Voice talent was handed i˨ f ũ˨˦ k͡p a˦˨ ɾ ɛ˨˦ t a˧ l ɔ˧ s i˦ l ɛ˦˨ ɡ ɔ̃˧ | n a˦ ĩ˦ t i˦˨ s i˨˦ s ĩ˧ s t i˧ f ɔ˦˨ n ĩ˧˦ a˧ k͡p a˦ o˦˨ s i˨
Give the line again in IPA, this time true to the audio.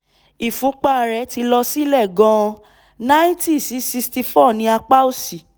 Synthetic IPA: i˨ f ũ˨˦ k͡p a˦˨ ɾ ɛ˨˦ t i˧ l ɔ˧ s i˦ l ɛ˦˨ ɡ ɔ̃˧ | n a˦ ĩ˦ t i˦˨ s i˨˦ s i˧ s t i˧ f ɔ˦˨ n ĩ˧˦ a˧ k͡p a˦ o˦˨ s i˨